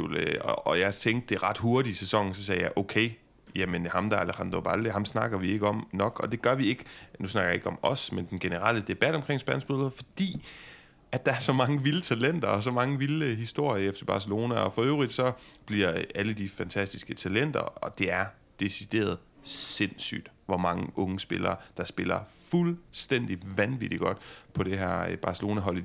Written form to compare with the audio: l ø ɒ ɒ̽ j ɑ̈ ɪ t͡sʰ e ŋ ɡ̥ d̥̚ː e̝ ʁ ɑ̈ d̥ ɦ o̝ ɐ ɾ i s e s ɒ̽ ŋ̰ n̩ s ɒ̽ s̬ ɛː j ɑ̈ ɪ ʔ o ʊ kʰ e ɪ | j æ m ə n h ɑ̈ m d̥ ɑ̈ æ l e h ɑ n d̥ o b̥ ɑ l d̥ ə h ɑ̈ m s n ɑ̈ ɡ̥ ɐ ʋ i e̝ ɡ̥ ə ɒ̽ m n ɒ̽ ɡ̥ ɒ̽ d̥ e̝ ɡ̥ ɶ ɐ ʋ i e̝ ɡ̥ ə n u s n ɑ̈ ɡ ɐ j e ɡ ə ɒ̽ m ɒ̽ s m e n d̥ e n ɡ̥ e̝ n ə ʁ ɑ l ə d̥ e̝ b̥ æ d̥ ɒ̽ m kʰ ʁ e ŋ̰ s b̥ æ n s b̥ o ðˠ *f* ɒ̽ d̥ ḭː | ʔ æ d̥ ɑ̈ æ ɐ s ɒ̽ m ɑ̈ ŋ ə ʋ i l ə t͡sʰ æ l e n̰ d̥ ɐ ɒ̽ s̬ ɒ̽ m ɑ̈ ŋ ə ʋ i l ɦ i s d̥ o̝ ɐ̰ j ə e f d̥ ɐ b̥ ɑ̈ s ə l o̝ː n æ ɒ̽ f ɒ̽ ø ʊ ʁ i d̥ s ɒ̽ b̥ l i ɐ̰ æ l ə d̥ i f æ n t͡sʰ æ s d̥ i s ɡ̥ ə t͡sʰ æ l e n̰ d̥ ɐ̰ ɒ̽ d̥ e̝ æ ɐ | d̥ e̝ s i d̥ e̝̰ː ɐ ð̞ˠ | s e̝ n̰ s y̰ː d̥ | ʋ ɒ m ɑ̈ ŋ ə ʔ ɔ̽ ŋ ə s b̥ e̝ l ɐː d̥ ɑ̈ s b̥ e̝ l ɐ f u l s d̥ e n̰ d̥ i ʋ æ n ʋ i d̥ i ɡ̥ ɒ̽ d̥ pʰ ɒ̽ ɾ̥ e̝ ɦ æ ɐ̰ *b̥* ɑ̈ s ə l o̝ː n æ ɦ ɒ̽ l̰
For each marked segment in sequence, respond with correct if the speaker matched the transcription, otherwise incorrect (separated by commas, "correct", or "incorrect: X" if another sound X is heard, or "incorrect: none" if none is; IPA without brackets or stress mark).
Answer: correct, correct